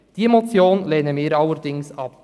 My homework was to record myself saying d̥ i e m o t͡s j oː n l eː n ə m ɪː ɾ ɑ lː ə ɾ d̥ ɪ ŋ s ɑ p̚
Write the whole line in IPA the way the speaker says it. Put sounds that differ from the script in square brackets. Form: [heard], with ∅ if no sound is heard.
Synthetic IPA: d̥ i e m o t͡s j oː n l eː n ə m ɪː ɾ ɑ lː ə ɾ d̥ ɪ ŋ s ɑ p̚